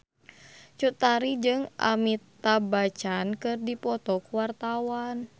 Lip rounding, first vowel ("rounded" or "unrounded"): rounded